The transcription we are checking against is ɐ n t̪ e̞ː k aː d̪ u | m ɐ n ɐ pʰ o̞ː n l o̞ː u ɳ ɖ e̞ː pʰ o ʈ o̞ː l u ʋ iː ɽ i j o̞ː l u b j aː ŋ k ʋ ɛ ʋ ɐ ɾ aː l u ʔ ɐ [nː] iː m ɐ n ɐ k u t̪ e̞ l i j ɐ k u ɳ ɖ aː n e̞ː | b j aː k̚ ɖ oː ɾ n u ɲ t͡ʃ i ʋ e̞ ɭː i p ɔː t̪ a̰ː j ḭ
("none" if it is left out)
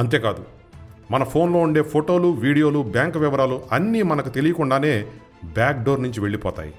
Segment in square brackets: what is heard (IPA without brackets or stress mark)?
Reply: nː